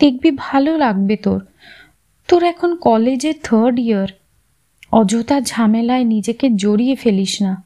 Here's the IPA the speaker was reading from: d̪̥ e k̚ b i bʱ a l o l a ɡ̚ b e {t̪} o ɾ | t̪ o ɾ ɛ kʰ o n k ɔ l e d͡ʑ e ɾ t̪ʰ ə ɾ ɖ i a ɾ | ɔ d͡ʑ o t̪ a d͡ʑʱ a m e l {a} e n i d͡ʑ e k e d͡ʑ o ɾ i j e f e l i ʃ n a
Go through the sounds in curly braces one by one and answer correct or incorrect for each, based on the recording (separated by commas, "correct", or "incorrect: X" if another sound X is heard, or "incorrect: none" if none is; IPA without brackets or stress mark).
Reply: correct, correct